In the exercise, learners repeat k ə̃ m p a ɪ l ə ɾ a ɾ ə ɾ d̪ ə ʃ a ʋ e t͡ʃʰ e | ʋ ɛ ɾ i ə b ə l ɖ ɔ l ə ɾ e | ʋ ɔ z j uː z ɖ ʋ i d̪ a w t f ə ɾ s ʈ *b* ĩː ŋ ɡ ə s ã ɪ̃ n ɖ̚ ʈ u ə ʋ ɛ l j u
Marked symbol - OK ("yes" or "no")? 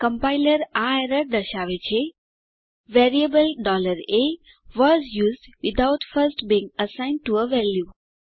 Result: yes